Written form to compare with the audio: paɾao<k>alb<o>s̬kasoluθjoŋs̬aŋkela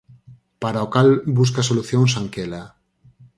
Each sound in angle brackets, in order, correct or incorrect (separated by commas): correct, incorrect